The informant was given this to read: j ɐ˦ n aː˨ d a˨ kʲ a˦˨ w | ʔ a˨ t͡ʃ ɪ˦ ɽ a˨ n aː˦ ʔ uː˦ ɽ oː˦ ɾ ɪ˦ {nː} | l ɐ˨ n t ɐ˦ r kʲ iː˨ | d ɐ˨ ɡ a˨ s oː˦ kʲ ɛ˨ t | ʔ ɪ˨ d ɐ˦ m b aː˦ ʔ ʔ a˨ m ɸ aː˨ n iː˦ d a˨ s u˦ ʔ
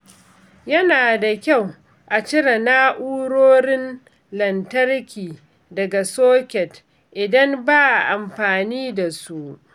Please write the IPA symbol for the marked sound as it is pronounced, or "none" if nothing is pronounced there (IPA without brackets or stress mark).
n